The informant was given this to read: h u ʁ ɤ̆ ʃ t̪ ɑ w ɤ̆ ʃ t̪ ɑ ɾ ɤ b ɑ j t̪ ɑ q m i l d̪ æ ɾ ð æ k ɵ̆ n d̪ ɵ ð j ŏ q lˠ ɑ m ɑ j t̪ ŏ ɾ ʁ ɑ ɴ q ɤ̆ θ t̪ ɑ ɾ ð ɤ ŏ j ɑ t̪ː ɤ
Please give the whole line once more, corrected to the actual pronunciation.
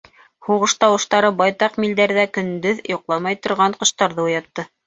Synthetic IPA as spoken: h u ʁ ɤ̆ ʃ t̪ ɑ w ɤ̆ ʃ t̪ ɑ ɾ ɤ b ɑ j t̪ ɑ q m i l d̪ æ ɾ ð æ k ɵ̆ n d̪ ɵ ð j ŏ q lˠ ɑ m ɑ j t̪ ŏ ɾ ʁ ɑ ɴ q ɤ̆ ʃ t̪ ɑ ɾ ð ɤ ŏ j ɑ t̪ː ɤ